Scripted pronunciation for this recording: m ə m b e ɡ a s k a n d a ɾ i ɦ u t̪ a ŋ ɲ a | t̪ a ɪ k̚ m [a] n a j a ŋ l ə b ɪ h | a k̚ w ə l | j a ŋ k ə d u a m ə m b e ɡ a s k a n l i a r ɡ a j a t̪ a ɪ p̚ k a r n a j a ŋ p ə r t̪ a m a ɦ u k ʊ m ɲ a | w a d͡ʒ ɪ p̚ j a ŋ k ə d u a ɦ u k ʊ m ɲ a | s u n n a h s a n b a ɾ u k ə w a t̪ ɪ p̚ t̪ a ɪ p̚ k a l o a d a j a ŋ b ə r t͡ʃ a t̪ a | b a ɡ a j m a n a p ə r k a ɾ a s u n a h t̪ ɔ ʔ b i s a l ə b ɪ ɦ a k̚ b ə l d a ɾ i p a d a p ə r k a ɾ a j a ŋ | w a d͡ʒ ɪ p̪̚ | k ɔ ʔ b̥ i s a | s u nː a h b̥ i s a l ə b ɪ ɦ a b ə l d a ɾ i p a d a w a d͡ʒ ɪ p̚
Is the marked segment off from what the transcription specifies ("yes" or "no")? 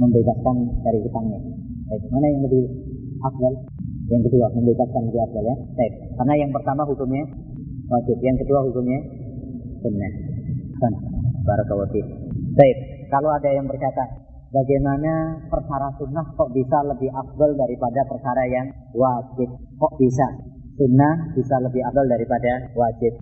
no